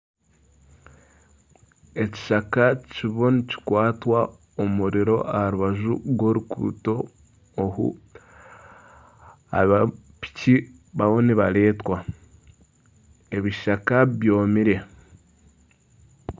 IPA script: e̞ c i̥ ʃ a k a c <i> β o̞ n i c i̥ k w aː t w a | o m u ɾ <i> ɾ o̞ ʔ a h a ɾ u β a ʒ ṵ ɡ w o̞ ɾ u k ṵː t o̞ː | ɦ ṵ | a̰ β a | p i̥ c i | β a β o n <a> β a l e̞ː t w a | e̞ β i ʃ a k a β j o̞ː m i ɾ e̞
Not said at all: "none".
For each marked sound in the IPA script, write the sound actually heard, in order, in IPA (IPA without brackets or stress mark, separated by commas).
i, i, i